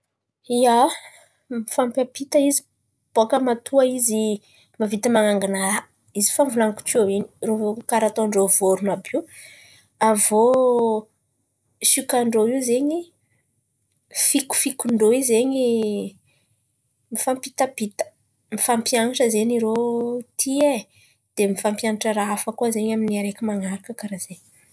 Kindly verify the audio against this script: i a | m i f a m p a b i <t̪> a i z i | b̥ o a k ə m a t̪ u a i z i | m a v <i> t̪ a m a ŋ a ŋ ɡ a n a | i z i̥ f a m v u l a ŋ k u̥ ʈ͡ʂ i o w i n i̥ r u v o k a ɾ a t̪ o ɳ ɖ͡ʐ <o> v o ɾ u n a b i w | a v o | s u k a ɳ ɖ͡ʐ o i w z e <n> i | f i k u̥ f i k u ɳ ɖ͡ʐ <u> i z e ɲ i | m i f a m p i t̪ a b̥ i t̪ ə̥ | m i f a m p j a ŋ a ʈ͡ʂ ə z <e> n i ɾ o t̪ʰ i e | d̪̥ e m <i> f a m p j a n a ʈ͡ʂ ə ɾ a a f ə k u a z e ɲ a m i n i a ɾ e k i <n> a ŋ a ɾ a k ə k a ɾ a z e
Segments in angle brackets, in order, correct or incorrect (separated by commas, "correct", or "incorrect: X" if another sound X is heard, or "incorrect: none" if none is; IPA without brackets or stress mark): correct, correct, correct, incorrect: ɲ, incorrect: o, correct, correct, incorrect: m